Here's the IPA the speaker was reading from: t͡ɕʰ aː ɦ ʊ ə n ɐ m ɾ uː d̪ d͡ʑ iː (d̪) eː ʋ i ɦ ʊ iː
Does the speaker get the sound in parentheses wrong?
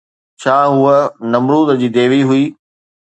no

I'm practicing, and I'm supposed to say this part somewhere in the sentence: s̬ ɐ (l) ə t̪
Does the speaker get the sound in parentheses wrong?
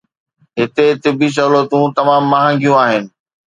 no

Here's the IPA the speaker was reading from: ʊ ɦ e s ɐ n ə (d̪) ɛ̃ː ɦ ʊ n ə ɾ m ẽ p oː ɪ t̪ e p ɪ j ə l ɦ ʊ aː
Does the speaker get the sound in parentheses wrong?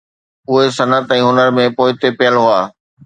yes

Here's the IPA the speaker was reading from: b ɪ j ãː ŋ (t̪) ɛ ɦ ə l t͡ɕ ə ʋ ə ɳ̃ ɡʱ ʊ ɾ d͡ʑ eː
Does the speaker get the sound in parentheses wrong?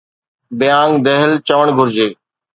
yes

